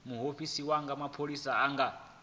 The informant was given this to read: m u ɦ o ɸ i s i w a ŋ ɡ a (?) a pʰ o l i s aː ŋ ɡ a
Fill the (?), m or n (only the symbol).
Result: m